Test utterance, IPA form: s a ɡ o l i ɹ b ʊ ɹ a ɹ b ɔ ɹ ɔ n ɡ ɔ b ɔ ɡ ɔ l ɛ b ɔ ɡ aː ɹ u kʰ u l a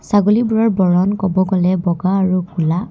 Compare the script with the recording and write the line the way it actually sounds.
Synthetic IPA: s a ɡ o l i b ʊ ɹ a ɹ b ɔ ɹ ɔ n k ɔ b ɔ ɡ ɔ l ɛ b ɔ ɡ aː ɹ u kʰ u l a

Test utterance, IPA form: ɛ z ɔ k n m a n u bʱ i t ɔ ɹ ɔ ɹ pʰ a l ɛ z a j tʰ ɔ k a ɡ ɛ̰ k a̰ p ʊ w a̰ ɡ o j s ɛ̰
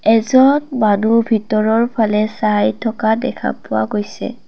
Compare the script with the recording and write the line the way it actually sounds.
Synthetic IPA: ɛ z ɔ n m a n u bʱ i t ɔ ɹ ɔ ɹ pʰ a l ɛ s a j tʰ ɔ k a d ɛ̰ kʰ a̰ p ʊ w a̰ ɡ o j s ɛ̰

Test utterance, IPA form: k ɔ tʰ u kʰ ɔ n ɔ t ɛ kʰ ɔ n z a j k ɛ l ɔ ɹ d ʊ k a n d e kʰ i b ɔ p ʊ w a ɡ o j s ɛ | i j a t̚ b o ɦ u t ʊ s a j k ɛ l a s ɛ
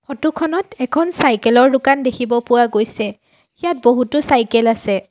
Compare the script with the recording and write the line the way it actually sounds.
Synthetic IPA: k ɔ t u kʰ ɔ n ɔ t ɛ kʰ ɔ n s a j k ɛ l ɔ ɹ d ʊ k a n d e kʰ i b ɔ p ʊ w a ɡ o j s ɛ | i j a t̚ b o ɦ u t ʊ s a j k ɛ l a s ɛ

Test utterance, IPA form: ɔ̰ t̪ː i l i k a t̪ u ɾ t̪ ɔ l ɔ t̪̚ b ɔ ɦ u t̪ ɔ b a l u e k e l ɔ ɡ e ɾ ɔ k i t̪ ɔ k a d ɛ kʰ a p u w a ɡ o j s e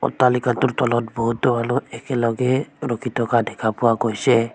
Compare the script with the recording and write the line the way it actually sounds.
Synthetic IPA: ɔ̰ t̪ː a l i k a t̪ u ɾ t̪ ɔ l ɔ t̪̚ b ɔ ɦ u t̪ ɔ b a l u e k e l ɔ ɡ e ɾ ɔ k i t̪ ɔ k a d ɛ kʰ a p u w a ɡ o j s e

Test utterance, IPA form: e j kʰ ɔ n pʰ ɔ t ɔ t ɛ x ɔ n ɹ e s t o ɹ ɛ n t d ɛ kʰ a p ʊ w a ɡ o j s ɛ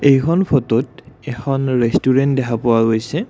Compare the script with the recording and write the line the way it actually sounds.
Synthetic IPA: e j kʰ ɔ n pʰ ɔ t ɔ t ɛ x ɔ n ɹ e s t u ɹ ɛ n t d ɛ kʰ a p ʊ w a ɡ o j s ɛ

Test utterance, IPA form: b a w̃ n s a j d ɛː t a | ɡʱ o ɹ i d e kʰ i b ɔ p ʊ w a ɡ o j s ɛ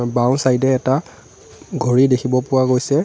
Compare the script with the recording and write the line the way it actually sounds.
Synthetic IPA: b a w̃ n s a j d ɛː t a | ɡʱ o ɹ i d e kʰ i b ɔ p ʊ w a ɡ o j s ɛ

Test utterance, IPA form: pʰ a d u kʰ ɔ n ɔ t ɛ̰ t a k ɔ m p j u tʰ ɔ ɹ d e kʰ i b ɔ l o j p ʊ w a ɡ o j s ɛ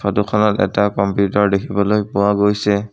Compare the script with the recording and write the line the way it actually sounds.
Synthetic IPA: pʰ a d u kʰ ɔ n ɔ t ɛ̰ t a k ɔ m p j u t ɔ ɹ d e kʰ i b ɔ l o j p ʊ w a ɡ o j s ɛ

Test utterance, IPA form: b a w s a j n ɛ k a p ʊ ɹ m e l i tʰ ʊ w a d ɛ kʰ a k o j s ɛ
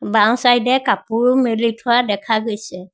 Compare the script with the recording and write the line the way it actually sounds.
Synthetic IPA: b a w s a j d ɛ k a p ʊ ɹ m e l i tʰ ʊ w a d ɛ kʰ a ɡ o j s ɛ

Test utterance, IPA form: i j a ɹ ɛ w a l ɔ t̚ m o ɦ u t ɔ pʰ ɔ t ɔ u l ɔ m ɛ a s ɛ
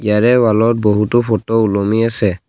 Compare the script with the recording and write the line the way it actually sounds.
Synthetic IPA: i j a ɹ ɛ w a l ɔ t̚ b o ɦ u t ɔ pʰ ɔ t ɔ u l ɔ m i a s ɛ

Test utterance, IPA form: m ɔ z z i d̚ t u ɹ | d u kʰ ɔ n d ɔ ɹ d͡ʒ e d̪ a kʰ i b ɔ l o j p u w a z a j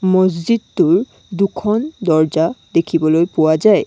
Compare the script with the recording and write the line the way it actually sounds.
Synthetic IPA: m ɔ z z i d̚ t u ɹ | d u kʰ ɔ n d ɔ ɹ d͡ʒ a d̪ e kʰ i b ɔ l o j p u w a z a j

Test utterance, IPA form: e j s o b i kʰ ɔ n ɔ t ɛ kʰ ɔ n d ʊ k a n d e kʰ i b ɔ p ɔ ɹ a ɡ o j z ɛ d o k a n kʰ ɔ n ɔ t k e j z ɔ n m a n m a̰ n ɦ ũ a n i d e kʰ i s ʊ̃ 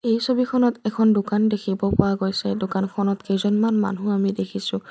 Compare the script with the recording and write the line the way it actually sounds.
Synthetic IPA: e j s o b i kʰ ɔ n ɔ t ɛ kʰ ɔ n d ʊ k a n d e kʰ i b ɔ p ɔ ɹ a ɡ o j s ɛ d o k a n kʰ ɔ n ɔ t k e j z ɔ n m a n m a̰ n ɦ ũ a m i d e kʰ i s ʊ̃

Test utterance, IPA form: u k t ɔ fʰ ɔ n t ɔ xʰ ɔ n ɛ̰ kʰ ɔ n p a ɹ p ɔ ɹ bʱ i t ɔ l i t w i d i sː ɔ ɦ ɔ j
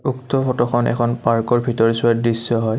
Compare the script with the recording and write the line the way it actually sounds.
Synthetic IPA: u k t ɔ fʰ ɔ t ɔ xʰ ɔ n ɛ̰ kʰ ɔ n p a ɹ k ɔ ɹ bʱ i t ɔ ɹ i s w a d i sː ɔ ɦ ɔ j

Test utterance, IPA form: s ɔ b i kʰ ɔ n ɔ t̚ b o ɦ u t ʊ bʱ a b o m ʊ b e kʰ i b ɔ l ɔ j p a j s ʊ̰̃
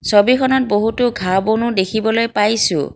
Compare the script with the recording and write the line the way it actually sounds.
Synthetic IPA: s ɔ b i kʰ ɔ n ɔ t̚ b o ɦ u t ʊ ɡʱ a b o n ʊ d e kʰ i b ɔ l o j p a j s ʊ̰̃

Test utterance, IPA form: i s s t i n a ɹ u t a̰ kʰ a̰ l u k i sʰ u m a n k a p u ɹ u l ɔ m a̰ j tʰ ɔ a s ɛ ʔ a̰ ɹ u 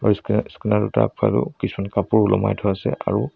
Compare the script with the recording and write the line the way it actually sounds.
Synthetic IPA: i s s k i n a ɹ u t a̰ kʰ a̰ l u k i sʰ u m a n k a p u ɹ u l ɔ m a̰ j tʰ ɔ a s ɛ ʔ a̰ ɹ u

